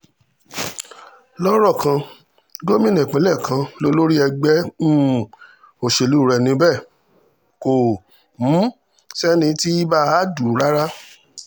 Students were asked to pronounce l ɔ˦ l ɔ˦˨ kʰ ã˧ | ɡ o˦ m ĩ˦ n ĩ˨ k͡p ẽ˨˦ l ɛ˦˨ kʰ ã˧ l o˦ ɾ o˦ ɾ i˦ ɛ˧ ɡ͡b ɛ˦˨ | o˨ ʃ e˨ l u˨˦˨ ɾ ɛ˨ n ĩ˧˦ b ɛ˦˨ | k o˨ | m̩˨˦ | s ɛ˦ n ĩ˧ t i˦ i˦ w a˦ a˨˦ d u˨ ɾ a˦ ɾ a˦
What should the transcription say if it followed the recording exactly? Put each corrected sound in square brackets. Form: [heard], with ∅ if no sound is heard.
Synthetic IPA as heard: l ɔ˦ [ɾ] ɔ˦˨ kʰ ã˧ | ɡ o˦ m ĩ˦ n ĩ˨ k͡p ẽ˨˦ l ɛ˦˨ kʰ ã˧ l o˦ [l] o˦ ɾ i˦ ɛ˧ ɡ͡b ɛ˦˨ | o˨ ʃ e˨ l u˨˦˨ ɾ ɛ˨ n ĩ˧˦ b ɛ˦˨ | k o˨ | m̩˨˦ | s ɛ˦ n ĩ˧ t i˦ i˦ [b] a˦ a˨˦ d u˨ ɾ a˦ ɾ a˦